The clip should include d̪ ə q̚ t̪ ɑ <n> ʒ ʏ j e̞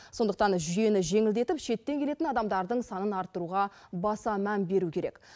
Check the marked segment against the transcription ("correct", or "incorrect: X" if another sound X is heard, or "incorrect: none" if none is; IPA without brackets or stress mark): correct